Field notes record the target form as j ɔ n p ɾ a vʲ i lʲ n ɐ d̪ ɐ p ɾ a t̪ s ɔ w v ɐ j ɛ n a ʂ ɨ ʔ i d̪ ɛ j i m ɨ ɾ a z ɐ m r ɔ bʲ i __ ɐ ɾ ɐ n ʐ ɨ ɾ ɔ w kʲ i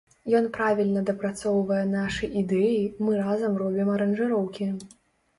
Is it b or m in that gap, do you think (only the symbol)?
m